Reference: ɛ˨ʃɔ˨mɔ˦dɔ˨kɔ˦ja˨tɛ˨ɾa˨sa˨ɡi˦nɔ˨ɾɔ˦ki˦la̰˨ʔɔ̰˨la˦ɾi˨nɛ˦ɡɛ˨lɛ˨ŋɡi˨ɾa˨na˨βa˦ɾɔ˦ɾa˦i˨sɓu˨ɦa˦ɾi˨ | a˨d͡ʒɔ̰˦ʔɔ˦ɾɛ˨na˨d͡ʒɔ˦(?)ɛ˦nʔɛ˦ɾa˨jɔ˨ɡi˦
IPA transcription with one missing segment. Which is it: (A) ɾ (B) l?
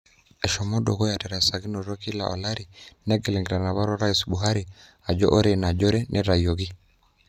A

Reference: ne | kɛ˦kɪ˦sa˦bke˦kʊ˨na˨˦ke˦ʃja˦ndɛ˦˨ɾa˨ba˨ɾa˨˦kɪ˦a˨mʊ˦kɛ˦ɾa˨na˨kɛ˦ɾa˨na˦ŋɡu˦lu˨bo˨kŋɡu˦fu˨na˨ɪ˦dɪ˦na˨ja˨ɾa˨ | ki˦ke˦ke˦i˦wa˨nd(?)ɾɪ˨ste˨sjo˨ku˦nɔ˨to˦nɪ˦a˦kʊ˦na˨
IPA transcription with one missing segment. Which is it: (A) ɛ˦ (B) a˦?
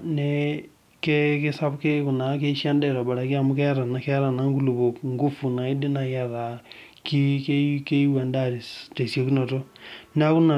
B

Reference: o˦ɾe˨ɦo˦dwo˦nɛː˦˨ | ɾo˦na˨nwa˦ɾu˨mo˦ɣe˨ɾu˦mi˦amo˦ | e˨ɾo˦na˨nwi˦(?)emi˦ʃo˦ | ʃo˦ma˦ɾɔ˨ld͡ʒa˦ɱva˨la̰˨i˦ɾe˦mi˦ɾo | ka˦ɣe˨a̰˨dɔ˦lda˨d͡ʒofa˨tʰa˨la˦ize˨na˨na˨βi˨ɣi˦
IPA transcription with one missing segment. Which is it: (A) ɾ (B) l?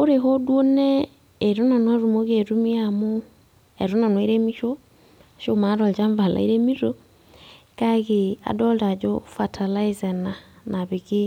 A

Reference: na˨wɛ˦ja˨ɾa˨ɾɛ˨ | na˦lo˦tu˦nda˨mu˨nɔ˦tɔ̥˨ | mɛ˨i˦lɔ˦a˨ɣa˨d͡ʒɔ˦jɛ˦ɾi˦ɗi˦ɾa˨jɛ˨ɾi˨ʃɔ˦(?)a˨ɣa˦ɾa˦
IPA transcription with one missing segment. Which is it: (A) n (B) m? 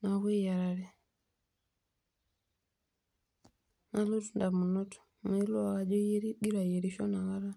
A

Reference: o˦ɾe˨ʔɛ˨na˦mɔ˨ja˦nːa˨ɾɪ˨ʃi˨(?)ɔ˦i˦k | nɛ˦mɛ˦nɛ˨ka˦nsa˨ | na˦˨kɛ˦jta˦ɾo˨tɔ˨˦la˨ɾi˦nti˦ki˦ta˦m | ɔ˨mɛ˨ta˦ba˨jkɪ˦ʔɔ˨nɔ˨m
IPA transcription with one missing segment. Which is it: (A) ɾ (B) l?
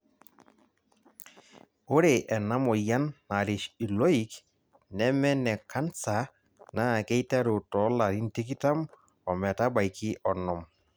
B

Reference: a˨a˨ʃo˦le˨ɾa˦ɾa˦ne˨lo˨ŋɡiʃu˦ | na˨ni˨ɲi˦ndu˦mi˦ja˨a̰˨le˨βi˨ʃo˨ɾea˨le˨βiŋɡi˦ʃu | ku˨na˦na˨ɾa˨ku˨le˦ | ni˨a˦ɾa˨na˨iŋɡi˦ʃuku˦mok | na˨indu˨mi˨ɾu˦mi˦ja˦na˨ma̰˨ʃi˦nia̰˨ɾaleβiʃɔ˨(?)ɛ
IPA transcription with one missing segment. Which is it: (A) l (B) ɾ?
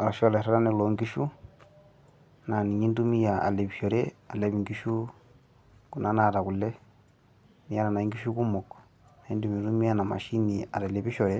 B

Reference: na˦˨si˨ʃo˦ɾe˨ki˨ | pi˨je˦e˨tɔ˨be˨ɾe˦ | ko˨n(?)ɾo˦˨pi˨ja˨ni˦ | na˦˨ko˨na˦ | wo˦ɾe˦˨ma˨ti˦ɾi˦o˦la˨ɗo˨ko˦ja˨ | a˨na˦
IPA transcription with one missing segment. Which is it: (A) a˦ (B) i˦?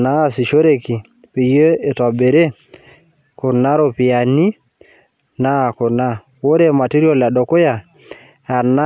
A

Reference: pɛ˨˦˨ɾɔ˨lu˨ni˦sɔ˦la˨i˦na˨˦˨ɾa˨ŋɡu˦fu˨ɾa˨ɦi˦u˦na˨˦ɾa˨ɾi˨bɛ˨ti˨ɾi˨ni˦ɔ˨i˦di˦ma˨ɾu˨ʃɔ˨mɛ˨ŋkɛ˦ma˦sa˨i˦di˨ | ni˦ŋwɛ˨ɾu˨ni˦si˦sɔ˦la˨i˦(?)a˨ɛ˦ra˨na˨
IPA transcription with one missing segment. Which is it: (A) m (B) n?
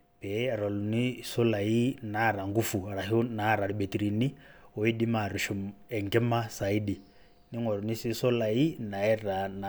B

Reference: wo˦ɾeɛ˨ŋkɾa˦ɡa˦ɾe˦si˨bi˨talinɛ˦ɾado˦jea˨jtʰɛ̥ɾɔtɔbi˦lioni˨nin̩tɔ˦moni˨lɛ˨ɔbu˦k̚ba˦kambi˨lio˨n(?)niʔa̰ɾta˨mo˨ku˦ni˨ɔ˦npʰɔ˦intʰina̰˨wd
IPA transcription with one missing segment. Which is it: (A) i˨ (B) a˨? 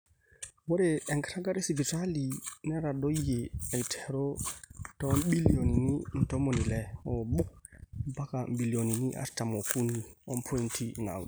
A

